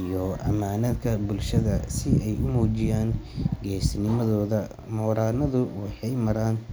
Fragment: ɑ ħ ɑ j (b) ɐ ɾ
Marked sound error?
yes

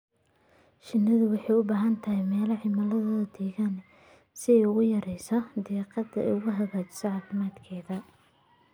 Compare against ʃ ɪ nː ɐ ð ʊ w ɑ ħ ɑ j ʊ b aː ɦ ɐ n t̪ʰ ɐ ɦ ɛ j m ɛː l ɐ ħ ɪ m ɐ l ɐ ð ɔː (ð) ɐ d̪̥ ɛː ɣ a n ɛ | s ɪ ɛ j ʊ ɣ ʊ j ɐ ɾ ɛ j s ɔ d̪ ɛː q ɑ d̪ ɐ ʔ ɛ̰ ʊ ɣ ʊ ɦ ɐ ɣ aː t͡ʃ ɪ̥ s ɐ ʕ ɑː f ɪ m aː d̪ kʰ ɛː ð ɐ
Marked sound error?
no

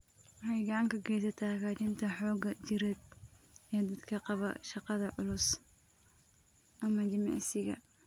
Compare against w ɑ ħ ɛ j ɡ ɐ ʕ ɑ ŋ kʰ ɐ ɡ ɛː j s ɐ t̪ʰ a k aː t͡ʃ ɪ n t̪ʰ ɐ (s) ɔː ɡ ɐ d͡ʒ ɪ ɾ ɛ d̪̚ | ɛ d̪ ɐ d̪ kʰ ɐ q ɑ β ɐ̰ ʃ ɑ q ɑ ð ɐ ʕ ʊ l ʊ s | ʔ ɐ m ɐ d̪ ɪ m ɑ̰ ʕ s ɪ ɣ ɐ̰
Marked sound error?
yes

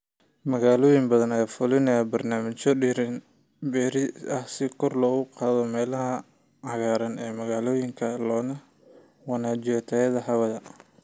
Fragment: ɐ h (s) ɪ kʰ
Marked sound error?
no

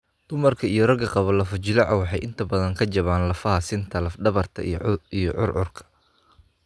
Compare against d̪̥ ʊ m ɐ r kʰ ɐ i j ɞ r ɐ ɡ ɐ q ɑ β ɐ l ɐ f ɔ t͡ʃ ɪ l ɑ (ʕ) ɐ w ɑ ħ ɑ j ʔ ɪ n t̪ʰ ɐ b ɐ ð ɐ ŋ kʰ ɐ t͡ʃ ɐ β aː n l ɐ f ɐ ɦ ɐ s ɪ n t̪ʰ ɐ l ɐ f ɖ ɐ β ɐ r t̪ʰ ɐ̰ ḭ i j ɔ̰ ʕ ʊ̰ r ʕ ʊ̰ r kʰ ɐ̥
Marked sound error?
no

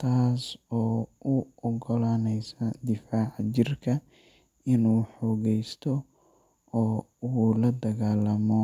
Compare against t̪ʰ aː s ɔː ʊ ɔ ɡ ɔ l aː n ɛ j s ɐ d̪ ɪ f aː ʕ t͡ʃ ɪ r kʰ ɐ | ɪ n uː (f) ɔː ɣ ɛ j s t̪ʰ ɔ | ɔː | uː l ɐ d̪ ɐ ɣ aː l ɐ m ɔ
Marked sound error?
yes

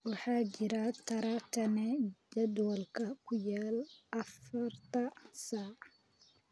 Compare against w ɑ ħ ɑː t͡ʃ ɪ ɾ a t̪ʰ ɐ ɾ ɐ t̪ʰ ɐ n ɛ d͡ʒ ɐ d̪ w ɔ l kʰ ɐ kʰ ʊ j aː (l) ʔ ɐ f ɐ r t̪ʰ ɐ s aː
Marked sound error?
no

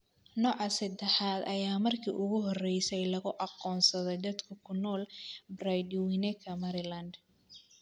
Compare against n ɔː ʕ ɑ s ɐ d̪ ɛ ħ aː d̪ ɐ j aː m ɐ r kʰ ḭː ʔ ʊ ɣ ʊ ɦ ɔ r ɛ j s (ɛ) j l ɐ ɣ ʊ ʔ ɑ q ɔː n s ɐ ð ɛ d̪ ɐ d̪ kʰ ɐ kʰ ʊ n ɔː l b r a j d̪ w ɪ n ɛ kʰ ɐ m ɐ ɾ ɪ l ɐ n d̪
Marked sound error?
no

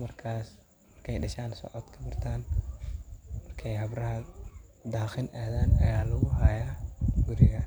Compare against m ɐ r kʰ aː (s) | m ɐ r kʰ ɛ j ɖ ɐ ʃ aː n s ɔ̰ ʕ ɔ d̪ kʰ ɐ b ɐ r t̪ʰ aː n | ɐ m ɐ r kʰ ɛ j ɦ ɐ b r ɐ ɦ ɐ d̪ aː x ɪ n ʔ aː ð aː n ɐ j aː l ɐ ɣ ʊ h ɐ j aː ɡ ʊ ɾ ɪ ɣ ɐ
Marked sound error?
no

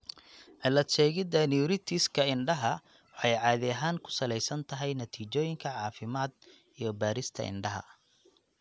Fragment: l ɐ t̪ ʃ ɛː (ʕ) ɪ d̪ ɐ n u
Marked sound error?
yes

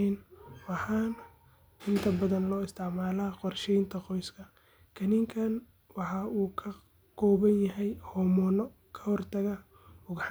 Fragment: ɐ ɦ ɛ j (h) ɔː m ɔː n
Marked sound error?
no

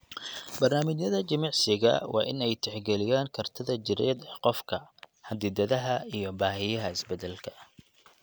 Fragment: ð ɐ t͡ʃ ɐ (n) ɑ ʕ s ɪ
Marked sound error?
yes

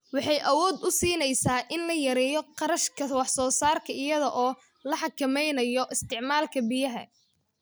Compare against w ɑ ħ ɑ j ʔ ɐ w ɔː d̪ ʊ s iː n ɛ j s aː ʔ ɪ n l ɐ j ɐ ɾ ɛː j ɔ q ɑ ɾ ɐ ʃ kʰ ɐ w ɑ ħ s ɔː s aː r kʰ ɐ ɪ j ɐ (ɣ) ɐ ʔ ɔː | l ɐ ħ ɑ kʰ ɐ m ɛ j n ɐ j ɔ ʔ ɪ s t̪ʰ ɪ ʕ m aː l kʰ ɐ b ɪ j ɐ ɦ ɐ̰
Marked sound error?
yes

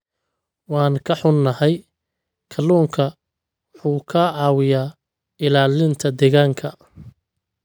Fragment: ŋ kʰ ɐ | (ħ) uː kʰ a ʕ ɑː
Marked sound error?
no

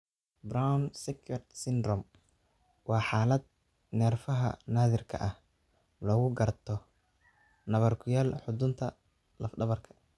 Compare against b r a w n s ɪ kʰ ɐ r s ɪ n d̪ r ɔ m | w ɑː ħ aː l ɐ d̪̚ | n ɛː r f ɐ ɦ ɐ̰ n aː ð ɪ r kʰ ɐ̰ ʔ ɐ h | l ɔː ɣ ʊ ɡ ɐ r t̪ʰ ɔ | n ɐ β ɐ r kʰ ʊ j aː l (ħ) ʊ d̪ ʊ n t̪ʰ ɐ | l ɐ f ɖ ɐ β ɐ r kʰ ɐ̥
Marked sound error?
no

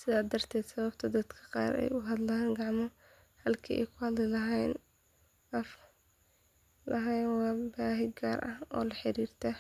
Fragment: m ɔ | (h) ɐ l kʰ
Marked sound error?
no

